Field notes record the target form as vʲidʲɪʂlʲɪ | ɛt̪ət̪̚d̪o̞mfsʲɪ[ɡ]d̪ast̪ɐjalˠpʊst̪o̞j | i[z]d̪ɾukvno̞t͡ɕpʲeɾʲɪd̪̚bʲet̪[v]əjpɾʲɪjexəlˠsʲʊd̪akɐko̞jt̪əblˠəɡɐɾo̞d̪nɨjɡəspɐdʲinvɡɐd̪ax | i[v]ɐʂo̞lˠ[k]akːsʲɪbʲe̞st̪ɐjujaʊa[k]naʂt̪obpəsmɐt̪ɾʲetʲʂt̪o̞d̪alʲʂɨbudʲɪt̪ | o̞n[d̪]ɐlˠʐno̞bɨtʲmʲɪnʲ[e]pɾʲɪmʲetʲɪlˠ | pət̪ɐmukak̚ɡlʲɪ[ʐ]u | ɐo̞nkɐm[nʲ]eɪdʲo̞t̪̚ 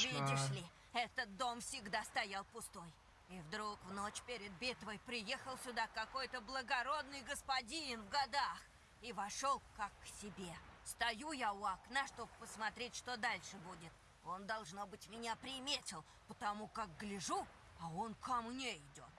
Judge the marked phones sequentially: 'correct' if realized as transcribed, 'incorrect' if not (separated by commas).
correct, incorrect, correct, correct, correct, correct, correct, incorrect, correct, correct